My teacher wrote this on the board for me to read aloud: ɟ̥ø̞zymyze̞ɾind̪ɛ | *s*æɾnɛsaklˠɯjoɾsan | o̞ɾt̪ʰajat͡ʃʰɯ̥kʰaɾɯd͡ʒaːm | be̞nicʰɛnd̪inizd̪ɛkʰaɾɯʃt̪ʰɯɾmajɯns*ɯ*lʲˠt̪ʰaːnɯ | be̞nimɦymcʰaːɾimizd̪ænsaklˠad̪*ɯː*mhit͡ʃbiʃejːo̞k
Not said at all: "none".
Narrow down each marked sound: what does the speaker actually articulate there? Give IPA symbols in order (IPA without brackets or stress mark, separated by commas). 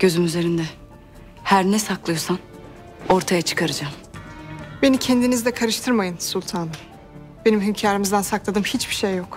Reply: h, u, ɯ